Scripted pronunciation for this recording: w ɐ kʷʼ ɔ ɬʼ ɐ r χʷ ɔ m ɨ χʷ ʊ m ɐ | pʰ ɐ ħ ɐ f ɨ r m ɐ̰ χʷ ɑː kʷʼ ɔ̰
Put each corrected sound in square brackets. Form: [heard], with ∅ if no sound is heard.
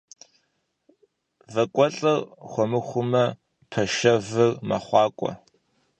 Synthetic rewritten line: [v] ɐ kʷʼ ɔ ɬʼ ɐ r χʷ ɔ m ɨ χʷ ʊ m ɐ | pʰ ɐ [ʃ] ɐ [v] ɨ r m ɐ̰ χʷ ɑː kʷʼ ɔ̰